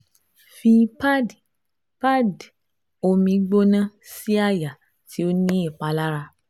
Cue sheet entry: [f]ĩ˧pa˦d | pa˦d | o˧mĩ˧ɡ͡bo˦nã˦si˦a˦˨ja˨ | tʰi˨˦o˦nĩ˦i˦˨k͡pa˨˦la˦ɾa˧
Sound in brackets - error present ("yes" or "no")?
no